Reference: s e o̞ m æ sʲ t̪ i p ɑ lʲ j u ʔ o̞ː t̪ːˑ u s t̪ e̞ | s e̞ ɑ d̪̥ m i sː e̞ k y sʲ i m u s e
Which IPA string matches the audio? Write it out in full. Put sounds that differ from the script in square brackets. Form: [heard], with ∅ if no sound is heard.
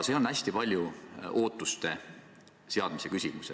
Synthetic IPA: s e o̞ [n] æ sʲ t̪ i p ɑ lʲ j u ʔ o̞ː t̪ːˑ u s t̪ e̞ | s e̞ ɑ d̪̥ m i [s] e̞ k y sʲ i m u s e